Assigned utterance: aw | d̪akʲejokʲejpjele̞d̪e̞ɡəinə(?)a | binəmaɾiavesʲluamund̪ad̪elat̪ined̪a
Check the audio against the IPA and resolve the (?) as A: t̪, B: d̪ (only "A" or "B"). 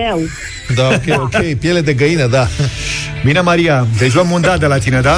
B